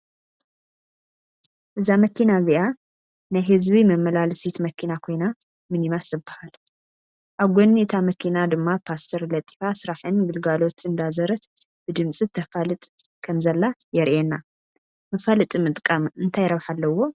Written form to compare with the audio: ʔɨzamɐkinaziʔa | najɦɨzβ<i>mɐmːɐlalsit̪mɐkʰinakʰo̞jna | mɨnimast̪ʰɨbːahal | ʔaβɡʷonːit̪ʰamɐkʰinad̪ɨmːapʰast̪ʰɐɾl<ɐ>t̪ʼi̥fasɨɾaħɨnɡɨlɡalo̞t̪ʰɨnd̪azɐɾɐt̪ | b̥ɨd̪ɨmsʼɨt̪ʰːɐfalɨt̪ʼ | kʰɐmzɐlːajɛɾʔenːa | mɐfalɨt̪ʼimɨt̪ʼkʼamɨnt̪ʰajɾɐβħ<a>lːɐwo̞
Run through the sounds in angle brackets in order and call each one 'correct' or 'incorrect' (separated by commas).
correct, correct, correct